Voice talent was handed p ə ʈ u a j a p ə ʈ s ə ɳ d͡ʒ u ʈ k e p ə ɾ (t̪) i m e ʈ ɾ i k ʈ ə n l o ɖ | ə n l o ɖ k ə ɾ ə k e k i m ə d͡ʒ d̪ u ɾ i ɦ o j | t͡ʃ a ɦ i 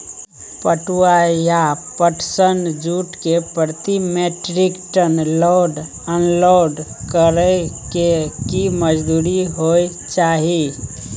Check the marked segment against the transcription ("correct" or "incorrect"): correct